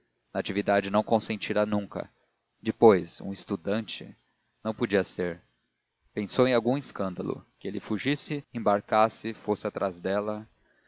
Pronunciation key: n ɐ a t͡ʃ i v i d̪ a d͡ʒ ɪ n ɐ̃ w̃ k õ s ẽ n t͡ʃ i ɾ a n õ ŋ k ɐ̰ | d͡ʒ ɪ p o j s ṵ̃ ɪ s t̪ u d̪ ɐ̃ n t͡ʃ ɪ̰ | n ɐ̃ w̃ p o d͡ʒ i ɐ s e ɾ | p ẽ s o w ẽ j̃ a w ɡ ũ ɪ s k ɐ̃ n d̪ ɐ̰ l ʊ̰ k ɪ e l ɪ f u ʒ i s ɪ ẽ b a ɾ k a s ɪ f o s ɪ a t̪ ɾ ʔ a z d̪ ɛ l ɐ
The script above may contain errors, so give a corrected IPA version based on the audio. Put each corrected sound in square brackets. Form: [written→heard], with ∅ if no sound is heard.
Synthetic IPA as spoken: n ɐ a t͡ʃ i v i d̪ a d͡ʒ ɪ n ɐ̃ w̃ k õ s ẽ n t͡ʃ i ɾ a n [õ→ũ] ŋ k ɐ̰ | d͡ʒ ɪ p o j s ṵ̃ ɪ s t̪ u d̪ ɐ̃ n t͡ʃ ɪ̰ | n ɐ̃ w̃ p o d͡ʒ i ɐ s e ɾ | p ẽ s o w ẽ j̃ a w ɡ ũ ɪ s k ɐ̃ n d̪ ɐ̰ l ʊ̰ k ɪ e l ɪ f u ʒ i s ɪ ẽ b a ɾ k a s ɪ f o s ɪ a t̪ ɾ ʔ a z d̪ ɛ l ɐ